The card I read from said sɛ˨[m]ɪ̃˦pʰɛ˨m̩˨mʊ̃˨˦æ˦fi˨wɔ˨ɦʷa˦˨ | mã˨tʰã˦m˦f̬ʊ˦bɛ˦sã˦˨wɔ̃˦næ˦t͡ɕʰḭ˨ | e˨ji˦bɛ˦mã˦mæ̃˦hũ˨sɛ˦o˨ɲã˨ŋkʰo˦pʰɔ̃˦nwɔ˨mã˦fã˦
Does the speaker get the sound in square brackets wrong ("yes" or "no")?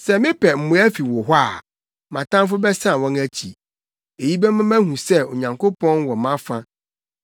no